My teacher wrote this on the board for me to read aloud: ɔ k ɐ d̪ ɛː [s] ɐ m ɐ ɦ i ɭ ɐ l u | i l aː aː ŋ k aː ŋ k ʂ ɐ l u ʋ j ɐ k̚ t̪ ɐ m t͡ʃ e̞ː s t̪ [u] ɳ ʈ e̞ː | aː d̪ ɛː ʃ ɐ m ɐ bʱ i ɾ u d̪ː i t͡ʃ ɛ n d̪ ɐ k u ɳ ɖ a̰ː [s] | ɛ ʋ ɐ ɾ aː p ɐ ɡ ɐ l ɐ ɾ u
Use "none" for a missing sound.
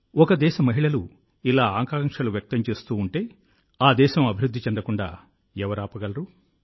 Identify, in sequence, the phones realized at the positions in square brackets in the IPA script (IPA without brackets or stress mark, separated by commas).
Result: ʃ, uː, none